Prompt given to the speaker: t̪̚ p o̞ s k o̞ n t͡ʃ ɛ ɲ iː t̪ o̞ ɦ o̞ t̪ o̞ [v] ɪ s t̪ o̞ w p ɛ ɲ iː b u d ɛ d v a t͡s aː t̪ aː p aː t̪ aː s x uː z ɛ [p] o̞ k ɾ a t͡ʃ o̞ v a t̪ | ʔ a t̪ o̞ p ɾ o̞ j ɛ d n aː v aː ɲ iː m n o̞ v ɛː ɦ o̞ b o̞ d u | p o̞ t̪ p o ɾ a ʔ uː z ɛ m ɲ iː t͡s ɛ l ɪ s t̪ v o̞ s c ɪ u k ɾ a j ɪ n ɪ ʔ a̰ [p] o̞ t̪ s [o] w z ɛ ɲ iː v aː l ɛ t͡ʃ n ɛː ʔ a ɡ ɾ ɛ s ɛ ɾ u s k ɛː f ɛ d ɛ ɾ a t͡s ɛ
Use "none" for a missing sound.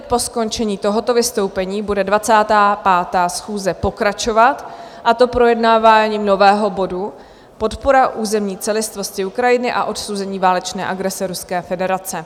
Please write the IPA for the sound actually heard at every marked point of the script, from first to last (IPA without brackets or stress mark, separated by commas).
v, p, ʔ, o